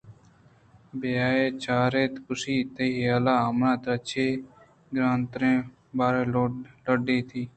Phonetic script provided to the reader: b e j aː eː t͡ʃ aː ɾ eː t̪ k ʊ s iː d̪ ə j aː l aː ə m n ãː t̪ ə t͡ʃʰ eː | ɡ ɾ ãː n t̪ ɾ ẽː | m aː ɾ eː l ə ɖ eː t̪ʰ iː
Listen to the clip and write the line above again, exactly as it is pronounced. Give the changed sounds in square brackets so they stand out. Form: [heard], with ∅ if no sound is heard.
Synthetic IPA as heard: b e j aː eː t͡ʃ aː ɾ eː t̪ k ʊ s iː [t̪] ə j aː l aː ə m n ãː t̪ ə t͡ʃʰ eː | ɡ ɾ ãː n t̪ ɾ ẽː | [b] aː ɾ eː l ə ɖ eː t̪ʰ iː